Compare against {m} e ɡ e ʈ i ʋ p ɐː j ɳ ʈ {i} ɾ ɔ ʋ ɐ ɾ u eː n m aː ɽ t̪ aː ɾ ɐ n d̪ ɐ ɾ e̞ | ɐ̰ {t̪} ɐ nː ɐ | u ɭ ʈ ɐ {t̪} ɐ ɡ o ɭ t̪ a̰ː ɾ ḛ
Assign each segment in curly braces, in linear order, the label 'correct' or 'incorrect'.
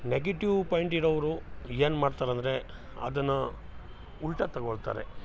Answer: incorrect, correct, incorrect, correct

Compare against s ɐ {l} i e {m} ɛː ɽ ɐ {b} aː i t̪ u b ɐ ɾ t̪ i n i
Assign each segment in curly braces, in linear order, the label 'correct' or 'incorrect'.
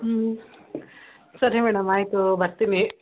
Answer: incorrect, correct, incorrect

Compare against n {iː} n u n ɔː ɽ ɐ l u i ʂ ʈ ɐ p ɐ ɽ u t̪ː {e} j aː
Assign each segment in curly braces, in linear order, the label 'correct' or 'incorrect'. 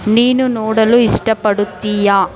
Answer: correct, incorrect

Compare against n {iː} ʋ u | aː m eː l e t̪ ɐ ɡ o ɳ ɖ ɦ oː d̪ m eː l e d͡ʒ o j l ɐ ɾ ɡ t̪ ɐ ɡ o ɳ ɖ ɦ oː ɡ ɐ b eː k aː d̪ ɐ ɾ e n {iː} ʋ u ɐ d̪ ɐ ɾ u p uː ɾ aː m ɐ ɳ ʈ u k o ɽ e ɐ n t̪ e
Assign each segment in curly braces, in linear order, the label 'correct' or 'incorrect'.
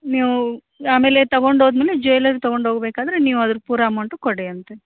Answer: correct, correct

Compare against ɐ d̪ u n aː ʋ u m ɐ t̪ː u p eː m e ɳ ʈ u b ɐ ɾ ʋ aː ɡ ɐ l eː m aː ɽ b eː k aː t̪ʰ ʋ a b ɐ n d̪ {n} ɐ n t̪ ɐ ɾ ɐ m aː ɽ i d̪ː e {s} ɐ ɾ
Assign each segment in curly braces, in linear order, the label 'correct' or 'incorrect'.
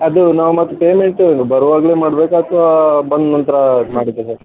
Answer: correct, correct

